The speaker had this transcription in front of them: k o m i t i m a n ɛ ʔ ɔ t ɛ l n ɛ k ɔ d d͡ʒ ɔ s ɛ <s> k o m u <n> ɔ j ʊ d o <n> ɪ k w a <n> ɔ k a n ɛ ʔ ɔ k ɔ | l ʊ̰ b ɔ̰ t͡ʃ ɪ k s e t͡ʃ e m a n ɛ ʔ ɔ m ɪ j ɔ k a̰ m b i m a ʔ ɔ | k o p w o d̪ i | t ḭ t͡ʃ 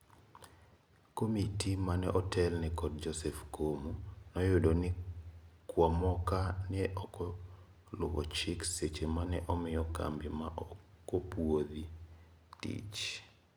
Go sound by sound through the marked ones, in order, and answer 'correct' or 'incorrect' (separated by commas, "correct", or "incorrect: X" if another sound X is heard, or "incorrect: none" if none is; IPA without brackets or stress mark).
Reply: incorrect: f, correct, correct, incorrect: m